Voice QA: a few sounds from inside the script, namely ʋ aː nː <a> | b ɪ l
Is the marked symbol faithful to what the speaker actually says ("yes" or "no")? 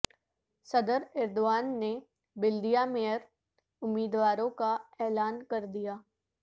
no